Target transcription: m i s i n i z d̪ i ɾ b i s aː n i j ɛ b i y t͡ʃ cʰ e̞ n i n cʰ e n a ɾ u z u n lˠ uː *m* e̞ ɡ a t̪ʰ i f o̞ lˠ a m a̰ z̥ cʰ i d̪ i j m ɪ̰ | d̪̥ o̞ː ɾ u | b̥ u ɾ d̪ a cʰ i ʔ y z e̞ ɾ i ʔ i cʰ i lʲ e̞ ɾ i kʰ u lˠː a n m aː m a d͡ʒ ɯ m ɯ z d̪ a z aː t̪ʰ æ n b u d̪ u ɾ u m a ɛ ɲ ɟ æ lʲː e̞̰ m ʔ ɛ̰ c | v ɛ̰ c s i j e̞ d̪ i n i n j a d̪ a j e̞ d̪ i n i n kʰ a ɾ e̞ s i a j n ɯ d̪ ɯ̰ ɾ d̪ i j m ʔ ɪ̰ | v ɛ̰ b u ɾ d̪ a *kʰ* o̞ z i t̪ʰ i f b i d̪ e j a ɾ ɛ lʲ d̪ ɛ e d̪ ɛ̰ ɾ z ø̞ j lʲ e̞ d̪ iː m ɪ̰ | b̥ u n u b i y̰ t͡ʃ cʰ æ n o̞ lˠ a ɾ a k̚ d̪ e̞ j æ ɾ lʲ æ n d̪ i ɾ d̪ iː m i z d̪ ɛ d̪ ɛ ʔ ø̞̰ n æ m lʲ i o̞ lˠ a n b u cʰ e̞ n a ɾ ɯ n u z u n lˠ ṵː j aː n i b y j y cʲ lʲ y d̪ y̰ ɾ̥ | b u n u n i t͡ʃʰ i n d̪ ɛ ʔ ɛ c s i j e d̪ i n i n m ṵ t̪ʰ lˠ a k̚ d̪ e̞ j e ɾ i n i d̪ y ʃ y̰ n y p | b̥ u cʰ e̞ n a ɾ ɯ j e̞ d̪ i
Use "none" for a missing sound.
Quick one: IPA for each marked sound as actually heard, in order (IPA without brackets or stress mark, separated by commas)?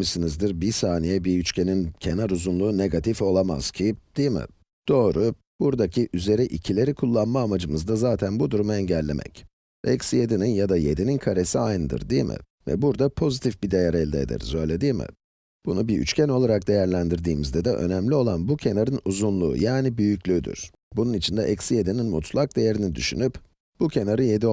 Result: n, pʰ